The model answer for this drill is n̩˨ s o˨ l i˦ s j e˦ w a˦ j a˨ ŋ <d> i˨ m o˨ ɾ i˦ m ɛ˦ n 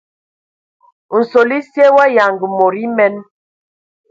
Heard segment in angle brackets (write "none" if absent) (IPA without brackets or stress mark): ɡ